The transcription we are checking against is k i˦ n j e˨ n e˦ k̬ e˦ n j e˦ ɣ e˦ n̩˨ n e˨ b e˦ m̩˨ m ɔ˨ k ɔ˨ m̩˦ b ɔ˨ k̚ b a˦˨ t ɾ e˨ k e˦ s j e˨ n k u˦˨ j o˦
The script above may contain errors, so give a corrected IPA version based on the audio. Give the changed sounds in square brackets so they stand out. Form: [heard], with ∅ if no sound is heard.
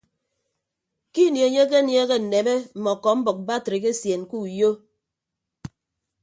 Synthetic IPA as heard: k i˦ n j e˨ [ɲ] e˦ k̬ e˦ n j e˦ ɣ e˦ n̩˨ n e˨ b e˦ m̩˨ m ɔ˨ k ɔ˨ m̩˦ b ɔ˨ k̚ b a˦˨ t ɾ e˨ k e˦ s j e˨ n k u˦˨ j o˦